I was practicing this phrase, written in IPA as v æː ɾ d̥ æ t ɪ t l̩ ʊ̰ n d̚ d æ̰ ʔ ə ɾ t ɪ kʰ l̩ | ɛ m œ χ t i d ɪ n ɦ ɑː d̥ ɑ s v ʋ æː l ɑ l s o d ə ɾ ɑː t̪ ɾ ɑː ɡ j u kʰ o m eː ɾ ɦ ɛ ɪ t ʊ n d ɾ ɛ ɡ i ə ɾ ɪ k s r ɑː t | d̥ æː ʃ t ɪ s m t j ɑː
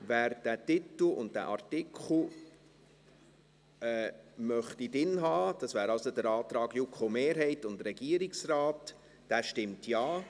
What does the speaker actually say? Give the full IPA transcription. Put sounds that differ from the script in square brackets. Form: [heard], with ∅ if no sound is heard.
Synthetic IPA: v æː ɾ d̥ æ t ɪ t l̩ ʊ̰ n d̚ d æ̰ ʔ [ɑ] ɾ t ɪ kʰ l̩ | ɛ m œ χ t i d ɪ n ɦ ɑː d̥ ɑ s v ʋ æː [ɾ] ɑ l s o d ə ɾ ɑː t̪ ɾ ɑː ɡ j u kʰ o m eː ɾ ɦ ɛ ɪ t ʊ n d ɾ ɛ ɡ i ə ɾ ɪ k s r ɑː t | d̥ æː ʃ t ɪ [∅] m t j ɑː